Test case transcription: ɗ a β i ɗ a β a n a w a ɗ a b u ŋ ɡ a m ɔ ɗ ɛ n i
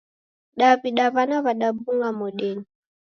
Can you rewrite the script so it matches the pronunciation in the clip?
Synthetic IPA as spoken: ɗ a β i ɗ a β a n a β a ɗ a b u ŋ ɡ a m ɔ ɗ ɛ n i